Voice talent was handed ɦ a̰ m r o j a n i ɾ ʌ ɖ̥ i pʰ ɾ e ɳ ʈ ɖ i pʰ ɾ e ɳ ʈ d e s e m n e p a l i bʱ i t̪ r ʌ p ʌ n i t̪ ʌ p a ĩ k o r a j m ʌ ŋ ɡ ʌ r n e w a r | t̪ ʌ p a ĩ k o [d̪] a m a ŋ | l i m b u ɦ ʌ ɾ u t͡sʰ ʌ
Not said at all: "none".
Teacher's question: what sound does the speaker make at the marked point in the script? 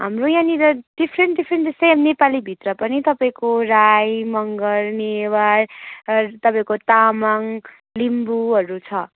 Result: t̪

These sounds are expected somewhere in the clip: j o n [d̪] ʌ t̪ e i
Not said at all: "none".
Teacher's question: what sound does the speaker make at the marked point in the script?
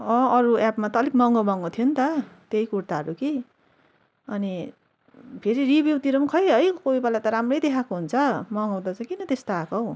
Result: t̪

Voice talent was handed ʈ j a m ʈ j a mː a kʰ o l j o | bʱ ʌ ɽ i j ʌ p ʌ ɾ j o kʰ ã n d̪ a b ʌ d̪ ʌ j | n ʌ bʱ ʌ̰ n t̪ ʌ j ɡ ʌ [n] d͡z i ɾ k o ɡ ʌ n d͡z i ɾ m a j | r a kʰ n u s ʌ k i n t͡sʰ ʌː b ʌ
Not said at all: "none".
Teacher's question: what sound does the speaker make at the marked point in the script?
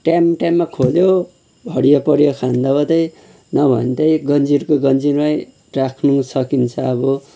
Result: n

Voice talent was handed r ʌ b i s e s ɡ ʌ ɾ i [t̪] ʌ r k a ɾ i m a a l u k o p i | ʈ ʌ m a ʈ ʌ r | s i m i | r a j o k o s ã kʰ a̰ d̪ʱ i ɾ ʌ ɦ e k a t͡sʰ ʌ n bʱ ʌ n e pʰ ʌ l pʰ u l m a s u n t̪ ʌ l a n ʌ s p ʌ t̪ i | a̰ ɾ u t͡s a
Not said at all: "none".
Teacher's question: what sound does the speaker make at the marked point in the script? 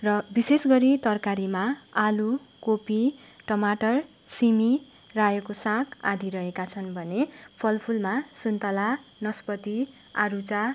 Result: t̪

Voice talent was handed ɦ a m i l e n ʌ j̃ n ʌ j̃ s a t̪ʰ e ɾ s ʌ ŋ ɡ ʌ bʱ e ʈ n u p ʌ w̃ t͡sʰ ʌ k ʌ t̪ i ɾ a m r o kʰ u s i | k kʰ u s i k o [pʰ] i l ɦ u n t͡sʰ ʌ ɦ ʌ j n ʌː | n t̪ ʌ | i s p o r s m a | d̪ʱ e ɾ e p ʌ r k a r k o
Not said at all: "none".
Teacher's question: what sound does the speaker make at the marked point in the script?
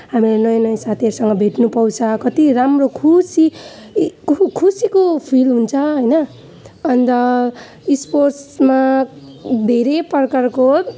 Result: pʰ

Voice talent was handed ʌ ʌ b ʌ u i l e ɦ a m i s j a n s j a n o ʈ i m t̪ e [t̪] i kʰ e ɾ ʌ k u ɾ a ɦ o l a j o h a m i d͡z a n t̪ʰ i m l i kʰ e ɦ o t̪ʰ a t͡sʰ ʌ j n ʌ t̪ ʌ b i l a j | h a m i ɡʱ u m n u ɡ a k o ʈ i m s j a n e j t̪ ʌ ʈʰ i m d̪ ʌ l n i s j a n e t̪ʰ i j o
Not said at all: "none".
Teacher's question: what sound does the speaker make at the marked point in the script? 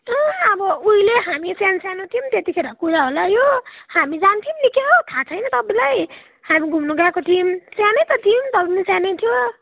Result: t̪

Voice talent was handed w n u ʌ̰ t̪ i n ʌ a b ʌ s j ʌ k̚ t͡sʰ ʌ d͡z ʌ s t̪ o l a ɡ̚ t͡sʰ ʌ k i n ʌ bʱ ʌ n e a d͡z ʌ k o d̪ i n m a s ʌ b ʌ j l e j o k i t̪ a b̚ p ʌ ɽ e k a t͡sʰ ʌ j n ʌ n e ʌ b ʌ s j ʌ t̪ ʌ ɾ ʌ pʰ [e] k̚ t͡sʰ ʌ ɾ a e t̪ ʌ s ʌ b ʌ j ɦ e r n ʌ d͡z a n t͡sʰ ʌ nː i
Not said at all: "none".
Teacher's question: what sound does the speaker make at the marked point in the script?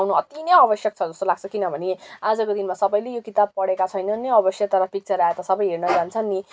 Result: i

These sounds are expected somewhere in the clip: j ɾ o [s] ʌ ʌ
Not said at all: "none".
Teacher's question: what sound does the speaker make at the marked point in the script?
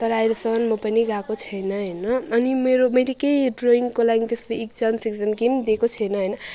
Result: s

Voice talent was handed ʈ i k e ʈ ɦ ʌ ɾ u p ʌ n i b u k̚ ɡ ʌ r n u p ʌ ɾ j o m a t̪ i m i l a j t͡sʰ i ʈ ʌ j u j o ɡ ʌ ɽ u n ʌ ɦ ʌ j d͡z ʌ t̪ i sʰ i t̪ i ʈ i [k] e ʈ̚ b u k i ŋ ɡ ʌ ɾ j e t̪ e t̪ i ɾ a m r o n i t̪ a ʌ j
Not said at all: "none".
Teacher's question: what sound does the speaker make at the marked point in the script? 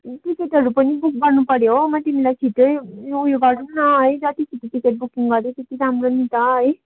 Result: k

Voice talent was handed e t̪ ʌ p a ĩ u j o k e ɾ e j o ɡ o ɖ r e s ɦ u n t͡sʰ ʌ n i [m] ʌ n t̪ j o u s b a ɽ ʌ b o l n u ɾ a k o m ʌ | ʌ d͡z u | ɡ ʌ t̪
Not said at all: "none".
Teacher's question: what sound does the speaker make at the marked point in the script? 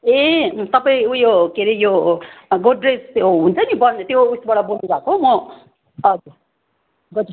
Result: b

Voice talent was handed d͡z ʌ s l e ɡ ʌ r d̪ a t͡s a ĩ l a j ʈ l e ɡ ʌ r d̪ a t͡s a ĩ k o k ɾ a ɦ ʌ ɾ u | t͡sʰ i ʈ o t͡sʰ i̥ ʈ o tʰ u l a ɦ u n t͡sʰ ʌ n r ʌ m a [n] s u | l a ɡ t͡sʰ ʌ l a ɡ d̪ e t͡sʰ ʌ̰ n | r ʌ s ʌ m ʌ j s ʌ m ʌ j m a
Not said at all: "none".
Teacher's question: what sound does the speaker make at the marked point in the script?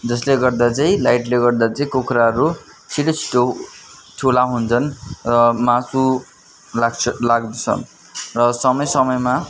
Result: none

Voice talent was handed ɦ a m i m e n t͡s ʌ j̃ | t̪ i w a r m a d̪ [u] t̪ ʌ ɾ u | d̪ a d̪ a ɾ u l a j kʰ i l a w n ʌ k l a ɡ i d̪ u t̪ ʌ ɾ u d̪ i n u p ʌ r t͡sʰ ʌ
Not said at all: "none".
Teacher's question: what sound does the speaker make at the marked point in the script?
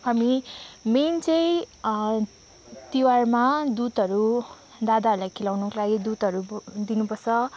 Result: u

